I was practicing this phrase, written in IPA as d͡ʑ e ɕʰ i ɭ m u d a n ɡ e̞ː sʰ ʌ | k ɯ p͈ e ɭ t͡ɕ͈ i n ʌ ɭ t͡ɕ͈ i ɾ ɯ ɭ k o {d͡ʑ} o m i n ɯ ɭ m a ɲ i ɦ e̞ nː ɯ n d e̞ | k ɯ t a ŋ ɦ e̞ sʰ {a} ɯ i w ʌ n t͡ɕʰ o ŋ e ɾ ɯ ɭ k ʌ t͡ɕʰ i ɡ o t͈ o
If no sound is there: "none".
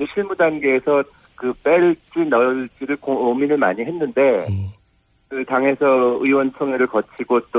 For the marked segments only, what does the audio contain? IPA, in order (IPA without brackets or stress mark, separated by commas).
none, ʌ